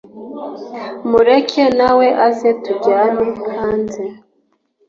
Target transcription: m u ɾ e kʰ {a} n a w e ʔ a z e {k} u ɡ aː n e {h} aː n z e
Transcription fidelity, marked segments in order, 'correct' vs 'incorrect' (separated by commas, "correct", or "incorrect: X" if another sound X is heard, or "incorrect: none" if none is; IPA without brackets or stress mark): incorrect: e, incorrect: t, correct